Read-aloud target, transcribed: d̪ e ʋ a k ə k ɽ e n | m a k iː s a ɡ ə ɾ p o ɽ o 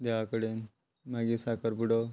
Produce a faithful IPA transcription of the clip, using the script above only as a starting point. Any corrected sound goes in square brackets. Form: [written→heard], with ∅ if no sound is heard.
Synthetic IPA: d̪ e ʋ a k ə [k→∅] ɽ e n | m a [k→ɡ] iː s a [ɡ→k] ə ɾ p [o→u] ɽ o

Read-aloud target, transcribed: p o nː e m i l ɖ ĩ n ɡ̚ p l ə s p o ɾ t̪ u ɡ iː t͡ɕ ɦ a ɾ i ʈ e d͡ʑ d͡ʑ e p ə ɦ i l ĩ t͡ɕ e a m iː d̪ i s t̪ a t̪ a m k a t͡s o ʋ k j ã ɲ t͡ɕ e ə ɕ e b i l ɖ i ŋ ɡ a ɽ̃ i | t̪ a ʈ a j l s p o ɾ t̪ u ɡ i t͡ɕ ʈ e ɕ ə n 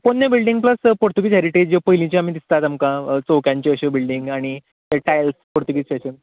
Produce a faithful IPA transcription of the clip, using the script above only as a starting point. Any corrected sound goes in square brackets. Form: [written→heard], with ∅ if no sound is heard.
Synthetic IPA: p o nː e [m→b] i l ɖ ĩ [n→ŋ] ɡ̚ p l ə s p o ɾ t̪ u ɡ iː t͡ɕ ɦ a ɾ i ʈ e d͡ʑ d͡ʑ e p ə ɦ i l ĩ t͡ɕ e a m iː d̪ i s t̪ a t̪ a m k a t͡s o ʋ k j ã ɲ t͡ɕ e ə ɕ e b i l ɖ i ŋ ɡ a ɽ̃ i | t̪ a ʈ a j l s p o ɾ t̪ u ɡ i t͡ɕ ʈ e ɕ ə n

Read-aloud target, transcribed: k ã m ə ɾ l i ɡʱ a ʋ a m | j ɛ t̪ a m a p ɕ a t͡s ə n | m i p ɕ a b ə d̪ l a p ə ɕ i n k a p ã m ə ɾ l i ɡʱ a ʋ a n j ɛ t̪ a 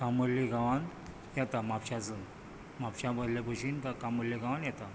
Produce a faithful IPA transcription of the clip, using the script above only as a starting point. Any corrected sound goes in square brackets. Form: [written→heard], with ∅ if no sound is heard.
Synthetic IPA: k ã m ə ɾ l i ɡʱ a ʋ a [m→n] | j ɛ t̪ a m a p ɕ a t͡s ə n | m [i→a] p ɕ a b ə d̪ l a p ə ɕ i n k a [p→k] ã m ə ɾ l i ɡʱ a ʋ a n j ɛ t̪ a

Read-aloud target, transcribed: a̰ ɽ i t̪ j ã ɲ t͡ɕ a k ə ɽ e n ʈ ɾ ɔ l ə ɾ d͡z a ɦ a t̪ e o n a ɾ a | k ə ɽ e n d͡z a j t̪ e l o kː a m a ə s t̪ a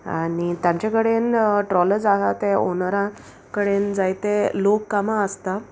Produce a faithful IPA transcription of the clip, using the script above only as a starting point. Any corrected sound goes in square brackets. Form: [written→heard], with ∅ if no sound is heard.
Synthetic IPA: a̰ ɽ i t̪ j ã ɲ t͡ɕ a k ə ɽ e n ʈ ɾ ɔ l ə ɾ d͡z a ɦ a t̪ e o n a ɾ a | k ə ɽ e n d͡z a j t̪ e l o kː a m a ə s t̪ a

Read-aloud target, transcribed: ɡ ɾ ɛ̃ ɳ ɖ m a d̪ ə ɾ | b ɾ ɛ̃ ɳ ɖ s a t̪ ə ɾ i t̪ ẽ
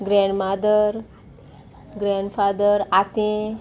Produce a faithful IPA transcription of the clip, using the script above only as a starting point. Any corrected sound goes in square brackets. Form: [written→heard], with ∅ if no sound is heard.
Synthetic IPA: ɡ ɾ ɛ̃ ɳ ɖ m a d̪ ə ɾ | [b→ɡ] ɾ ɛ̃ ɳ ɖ [s→f] a [t̪→d̪] ə ɾ [i→a] t̪ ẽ

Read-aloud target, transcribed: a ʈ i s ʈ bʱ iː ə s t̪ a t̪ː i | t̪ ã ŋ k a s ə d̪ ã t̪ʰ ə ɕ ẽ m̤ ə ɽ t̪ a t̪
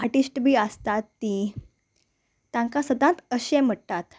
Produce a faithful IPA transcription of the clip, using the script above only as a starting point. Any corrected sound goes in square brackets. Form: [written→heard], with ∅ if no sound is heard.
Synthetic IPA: a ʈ i s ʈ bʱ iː ə s t̪ a t̪ː i | t̪ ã ŋ k a s ə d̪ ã [t̪ʰ→t̪] ə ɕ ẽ m̤ ə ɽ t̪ a t̪

